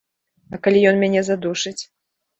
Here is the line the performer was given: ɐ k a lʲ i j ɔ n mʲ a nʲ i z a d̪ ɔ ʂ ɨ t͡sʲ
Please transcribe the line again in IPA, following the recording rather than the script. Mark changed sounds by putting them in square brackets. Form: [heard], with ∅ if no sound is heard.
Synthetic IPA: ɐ k a lʲ i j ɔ n mʲ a nʲ [ɛ] z a d̪ [u] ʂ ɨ t͡sʲ